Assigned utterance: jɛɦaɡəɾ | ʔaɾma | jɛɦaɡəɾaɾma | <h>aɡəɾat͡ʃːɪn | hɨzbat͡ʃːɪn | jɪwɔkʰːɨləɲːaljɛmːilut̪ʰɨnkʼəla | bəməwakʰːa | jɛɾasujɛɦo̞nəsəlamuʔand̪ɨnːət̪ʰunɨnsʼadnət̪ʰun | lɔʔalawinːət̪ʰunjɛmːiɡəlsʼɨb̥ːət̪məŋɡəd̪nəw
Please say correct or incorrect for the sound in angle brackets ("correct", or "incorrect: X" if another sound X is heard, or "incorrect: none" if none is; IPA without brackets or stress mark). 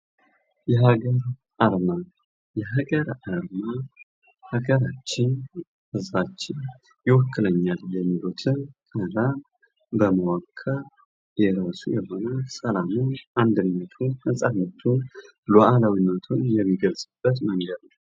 correct